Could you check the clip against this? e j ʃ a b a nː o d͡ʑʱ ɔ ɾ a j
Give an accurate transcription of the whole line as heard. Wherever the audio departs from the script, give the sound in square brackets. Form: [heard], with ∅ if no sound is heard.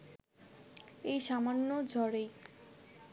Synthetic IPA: e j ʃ a [m] a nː o d͡ʑʱ ɔ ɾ [e] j